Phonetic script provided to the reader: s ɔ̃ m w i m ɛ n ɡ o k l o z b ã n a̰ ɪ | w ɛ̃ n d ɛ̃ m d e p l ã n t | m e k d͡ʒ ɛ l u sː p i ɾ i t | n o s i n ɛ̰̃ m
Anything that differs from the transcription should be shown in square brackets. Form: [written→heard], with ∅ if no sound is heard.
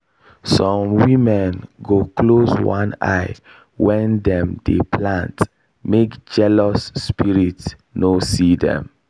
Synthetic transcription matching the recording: s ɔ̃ m w i m ɛ n ɡ o k l o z [b→w] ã n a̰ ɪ | w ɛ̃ n d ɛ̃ m d e p l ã n t | m e k d͡ʒ ɛ l [u→ɔ] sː p i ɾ i t | n o s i [n→d] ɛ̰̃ m